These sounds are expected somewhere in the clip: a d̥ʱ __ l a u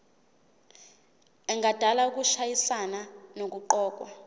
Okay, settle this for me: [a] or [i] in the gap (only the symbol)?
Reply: a